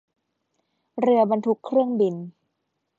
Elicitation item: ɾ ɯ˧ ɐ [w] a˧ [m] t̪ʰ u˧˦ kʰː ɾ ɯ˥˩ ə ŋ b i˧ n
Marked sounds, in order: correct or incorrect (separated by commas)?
incorrect, incorrect